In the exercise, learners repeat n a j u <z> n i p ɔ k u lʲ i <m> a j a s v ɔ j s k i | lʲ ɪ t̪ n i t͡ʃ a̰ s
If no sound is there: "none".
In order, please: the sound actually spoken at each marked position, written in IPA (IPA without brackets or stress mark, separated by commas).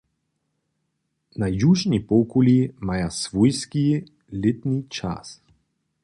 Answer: ʒ, m